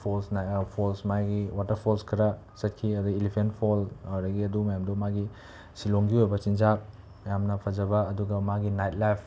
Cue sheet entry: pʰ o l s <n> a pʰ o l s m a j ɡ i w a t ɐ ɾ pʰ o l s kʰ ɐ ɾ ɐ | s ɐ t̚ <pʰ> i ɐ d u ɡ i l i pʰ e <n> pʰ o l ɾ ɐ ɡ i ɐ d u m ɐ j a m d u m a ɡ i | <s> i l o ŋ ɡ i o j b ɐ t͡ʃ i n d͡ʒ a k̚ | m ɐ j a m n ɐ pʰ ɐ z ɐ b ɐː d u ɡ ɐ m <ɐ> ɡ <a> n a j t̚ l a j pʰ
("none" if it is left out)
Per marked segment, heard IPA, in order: n, kʰ, n, s, a, i

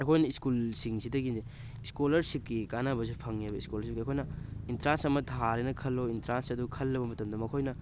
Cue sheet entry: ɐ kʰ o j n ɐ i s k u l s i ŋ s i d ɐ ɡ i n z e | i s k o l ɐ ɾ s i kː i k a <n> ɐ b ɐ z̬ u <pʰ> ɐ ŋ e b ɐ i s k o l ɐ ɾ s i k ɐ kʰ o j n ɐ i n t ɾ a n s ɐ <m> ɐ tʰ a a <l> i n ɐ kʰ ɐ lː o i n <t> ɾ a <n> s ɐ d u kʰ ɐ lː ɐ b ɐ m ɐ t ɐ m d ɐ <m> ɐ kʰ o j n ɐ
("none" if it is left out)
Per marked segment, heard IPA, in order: n, pʰ, m, ɾ, t, n, m

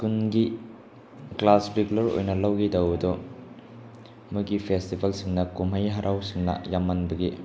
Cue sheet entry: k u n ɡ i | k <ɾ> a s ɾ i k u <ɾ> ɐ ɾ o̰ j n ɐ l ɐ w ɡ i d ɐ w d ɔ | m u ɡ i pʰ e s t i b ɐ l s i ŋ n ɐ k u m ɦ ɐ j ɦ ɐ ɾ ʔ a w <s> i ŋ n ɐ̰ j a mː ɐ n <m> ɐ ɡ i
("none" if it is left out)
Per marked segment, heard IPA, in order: l, l, s, b

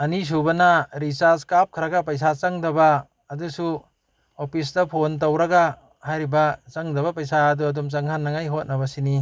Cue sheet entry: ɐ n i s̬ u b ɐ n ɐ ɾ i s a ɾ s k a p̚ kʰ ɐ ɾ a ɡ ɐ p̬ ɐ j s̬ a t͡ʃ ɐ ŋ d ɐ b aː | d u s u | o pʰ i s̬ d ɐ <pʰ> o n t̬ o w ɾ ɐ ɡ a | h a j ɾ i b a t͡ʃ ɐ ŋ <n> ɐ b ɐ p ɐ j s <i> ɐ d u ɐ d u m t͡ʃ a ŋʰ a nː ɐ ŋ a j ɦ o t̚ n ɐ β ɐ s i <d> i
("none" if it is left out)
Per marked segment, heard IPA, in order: pʰ, d, a, n

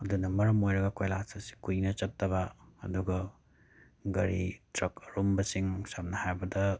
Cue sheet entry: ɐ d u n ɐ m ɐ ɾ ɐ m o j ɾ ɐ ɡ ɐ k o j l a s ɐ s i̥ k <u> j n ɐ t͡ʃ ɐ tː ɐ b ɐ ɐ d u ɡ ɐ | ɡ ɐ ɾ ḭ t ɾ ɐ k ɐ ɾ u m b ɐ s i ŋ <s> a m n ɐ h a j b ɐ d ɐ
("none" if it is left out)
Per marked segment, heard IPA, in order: u, s

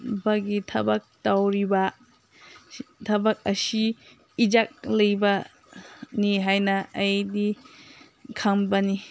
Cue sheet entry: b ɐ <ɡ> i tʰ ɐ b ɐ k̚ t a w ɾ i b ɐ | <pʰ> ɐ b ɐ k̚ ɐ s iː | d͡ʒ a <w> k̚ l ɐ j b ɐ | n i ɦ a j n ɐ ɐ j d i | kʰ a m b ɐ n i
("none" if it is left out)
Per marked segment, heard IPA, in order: ɡ, tʰ, none

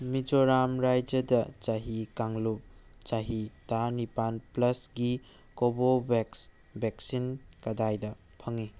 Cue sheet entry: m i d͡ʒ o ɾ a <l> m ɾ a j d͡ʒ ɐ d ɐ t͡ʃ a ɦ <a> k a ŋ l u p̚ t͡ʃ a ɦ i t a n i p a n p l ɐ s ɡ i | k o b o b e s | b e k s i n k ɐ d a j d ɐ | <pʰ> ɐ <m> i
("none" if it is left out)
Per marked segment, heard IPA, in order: none, i, pʰ, ŋ

